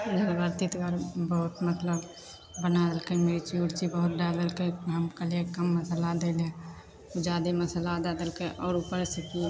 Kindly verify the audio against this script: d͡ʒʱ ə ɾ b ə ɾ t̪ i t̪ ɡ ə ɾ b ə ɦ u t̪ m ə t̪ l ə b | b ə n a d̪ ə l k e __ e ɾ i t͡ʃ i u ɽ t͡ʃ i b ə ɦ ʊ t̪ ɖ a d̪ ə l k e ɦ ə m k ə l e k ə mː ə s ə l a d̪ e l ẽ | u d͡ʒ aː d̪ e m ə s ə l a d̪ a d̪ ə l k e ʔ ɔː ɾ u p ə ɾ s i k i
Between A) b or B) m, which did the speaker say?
B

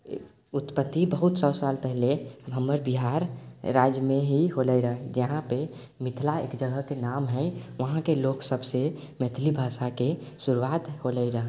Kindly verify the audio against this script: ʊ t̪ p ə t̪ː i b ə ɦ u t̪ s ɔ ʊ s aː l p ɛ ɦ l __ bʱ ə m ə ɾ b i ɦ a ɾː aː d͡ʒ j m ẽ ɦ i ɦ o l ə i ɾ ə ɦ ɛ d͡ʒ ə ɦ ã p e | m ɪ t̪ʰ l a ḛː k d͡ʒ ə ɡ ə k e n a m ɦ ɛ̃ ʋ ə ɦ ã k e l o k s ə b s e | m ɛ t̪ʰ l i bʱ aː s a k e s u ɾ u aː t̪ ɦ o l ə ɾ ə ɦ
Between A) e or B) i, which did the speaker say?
A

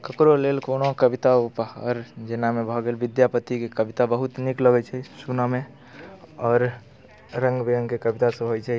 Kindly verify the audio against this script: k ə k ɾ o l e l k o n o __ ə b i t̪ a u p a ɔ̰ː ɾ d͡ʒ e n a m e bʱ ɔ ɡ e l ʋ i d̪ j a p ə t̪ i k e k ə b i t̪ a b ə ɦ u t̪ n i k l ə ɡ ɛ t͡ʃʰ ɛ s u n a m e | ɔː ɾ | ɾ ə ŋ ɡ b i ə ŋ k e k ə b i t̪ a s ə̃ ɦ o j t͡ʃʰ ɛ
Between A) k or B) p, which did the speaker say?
A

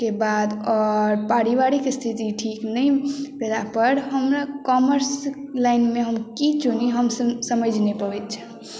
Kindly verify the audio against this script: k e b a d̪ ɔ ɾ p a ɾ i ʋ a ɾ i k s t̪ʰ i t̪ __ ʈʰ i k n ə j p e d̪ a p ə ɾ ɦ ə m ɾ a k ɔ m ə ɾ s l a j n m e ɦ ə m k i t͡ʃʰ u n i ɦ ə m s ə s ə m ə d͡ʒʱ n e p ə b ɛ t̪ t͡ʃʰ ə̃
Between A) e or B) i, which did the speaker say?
B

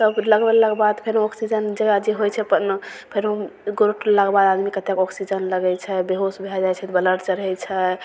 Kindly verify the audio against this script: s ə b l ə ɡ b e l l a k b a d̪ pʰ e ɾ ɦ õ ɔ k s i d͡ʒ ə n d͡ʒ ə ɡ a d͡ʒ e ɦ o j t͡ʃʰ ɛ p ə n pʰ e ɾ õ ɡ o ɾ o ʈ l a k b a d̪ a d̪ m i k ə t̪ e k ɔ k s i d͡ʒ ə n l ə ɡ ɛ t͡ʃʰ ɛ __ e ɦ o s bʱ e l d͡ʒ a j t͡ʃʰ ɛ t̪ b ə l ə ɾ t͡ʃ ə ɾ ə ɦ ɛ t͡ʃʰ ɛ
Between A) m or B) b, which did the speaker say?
B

